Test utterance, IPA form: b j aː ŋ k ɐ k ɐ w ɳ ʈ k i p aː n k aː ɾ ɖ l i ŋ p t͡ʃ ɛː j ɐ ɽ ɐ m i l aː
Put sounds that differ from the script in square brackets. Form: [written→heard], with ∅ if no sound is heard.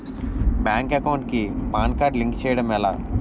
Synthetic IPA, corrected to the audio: b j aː ŋ k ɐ k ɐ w ɳ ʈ k i p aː n k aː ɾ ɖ l i ŋ [p→k] t͡ʃ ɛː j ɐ ɽ ɐ m [i→ɛ] l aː